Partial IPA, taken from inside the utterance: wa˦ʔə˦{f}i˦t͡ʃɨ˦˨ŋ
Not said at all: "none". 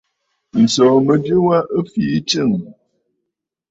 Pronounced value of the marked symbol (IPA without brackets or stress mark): f